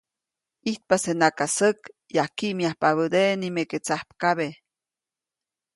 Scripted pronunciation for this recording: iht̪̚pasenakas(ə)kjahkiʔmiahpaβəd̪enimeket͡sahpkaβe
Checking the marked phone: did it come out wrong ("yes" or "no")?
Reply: no